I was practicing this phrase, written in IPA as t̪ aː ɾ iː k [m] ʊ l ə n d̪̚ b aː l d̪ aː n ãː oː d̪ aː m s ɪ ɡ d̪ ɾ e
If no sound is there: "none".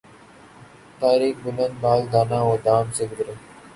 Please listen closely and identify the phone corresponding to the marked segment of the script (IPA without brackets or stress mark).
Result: b